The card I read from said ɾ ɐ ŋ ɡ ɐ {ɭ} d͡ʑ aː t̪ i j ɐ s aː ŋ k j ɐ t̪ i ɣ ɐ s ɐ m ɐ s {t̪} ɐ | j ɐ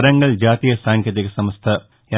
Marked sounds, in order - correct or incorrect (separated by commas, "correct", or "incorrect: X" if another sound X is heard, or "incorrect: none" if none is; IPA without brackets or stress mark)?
correct, incorrect: t̪ʰ